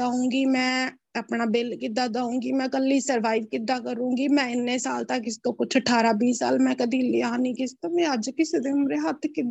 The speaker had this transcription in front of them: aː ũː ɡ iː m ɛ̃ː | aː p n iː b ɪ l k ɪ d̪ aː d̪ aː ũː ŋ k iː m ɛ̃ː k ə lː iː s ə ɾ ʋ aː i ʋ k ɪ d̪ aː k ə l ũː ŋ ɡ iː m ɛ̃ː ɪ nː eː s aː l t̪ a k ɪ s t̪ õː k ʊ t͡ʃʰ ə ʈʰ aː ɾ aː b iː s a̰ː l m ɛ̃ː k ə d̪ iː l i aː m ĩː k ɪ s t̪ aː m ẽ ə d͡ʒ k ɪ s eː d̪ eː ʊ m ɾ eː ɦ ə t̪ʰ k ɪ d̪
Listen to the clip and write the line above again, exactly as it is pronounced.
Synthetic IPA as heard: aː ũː ɡ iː m ɛ̃ː | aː p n aː b ɪ l k ɪ d̪ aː d̪ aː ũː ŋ ɡ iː m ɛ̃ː k ə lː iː s ə ɾ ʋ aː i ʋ k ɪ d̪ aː k ə ɾ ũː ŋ ɡ iː m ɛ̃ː ɪ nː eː s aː l t̪ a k ɪ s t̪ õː k ʊ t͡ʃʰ ə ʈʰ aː ɾ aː b iː s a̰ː l m ɛ̃ː k ə d̪ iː l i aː n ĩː k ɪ s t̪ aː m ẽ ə d͡ʒ k ɪ s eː d̪ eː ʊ m ɾ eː ɦ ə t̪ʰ k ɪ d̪